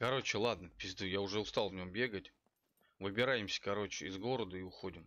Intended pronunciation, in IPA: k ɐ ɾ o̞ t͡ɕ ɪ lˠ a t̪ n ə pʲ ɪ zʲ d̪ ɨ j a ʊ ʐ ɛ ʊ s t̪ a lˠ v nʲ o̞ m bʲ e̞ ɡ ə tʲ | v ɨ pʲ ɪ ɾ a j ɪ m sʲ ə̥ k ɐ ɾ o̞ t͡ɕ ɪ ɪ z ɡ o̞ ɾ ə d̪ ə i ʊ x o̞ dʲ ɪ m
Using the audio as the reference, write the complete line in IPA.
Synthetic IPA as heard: k ɐ ɾ o̞ t͡ɕ ɪ lˠ a d̪ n ə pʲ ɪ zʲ d̪ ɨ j a ʊ ʐ ɛ ʊ s t̪ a lˠ v nʲ o̞ m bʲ e̞ ɡ ə tʲ | v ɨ bʲ ɪ ɾ a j ɪ m sʲ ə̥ k ɐ ɾ o̞ t͡ɕ ɪ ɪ z ɡ o̞ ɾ ə d̪ ə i ʊ x o̞ dʲ ɪ m